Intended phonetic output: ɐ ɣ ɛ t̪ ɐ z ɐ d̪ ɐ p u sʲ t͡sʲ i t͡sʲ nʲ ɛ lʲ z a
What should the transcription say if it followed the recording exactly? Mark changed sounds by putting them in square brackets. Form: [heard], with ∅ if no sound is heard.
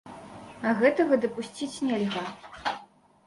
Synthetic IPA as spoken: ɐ ɣ ɛ t̪ ɐ [ɣ] ɐ d̪ ɐ p u sʲ t͡sʲ i t͡sʲ nʲ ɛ lʲ [ɣ] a